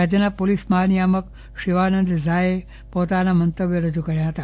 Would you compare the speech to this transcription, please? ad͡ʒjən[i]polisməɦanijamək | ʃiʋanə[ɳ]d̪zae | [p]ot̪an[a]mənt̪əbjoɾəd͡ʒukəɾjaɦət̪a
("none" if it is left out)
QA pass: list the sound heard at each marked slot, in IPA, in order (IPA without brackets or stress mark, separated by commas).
a, n, p, a